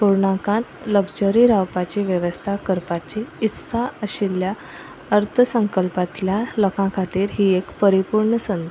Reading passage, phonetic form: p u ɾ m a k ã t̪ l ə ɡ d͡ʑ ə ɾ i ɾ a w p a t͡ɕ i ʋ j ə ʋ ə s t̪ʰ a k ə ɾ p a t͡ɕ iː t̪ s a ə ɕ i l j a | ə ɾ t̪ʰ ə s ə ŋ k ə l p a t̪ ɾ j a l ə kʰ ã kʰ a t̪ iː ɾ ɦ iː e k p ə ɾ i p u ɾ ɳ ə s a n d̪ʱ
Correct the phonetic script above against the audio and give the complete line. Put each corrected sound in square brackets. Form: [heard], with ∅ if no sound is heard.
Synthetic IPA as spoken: p u ɾ [ɳ] a k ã t̪ l ə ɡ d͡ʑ ə ɾ i ɾ a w p a t͡ɕ i ʋ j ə ʋ ə s t̪ʰ a k ə ɾ p a t͡ɕ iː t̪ s a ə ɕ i l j a | ə ɾ t̪ʰ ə s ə ŋ k ə l p a t̪ [l] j a l ə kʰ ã kʰ a t̪ iː ɾ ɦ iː e k p ə ɾ i p u ɾ ɳ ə s [ə] n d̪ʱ